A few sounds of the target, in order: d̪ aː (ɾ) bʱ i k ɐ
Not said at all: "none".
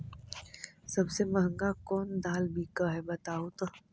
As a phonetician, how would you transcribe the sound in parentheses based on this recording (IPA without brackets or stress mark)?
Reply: l